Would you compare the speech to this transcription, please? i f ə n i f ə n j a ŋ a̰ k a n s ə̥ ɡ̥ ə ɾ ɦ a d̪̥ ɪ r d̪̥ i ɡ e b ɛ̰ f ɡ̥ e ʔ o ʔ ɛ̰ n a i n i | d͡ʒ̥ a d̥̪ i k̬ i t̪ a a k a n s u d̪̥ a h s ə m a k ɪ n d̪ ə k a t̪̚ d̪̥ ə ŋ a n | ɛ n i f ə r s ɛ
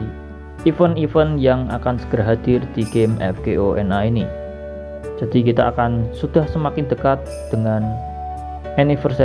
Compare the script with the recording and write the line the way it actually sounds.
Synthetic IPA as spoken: i f ə n i f ə n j a ŋ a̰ k a n s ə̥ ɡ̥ ə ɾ ɦ a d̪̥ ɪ r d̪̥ i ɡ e m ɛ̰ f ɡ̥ e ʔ o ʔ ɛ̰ n a i n i | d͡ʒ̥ a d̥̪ i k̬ i t̪ a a k a n s u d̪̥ a h s ə m a k ɪ n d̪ ə k a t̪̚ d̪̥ ə ŋ a n | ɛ n i f ə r s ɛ